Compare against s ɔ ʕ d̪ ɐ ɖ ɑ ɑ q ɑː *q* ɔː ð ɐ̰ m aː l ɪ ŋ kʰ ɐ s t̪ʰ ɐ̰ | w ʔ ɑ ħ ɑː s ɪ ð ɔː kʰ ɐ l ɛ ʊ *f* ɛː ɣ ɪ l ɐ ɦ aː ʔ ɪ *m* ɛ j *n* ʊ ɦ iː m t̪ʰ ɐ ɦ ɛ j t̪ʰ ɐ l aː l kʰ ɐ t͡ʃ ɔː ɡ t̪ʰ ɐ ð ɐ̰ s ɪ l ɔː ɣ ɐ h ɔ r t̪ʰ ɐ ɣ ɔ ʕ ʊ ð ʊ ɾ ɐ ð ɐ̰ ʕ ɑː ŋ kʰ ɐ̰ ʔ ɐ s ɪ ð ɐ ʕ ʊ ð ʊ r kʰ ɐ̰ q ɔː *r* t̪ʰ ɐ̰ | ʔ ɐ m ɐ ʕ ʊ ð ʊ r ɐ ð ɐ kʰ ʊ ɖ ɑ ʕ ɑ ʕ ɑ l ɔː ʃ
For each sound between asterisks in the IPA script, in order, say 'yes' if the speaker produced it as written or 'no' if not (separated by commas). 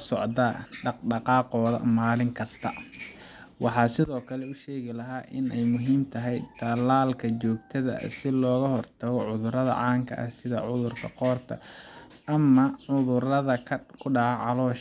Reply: yes, no, no, no, yes